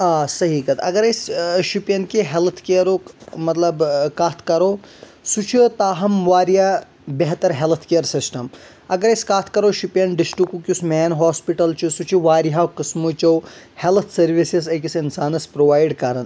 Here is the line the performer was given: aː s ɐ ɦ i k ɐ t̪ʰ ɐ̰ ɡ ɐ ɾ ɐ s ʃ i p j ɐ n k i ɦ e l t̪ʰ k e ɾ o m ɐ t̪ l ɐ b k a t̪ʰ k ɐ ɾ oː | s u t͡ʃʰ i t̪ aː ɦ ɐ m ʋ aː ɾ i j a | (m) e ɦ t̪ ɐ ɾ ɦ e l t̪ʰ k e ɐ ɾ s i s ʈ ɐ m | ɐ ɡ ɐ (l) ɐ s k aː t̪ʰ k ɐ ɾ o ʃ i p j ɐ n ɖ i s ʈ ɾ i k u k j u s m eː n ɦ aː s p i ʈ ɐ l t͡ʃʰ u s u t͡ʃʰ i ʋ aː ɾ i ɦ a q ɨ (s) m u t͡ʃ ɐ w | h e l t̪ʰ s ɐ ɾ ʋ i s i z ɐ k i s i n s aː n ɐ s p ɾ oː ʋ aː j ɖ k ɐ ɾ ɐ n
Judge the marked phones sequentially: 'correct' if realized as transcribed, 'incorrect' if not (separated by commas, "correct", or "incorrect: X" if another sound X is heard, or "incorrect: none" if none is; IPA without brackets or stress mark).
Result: incorrect: b, incorrect: ɾ, correct